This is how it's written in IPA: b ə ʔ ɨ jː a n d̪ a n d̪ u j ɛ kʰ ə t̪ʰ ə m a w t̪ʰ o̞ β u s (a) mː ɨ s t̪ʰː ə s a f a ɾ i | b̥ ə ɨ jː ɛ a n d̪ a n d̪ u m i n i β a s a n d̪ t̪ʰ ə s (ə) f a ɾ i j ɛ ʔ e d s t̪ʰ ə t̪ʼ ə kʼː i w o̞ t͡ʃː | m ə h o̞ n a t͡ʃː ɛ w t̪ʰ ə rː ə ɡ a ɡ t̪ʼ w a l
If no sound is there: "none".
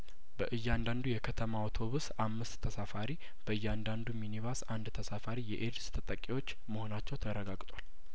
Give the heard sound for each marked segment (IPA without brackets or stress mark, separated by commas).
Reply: a, a